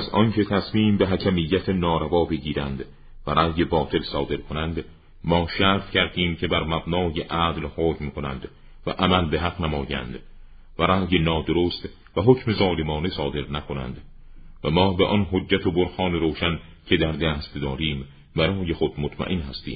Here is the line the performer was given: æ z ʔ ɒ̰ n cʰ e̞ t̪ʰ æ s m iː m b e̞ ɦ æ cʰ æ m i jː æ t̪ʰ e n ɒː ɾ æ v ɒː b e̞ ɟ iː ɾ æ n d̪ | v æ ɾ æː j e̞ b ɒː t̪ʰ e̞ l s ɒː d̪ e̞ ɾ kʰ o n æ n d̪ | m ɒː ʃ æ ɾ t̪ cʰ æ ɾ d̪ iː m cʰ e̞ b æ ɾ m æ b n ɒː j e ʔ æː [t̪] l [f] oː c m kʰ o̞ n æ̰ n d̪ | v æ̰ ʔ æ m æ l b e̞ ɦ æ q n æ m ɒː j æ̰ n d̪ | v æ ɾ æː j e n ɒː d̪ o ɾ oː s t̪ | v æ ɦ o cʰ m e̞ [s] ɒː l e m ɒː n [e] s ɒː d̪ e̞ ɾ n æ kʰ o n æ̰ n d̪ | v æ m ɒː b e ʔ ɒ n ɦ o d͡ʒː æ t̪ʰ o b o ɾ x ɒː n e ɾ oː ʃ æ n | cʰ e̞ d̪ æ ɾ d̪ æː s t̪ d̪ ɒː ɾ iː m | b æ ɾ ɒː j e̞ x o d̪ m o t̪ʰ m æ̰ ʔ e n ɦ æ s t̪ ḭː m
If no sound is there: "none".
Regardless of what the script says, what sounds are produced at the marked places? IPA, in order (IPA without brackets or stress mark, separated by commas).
d̪, h, z, e